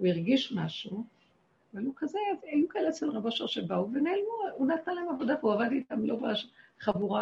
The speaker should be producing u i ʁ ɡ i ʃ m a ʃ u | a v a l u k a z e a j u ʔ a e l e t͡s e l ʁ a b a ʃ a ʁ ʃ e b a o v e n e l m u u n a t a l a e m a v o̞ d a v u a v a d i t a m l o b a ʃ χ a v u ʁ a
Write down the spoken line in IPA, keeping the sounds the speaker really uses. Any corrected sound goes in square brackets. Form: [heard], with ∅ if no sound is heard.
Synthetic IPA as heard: u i ʁ ɡ i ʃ m a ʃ u | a v a l u k a z e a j u [k] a e l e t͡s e l ʁ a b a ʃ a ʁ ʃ e b a [u] v e n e l m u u n a t a l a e m a v o̞ d a v u a v a d i t a m l o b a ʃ χ a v u ʁ a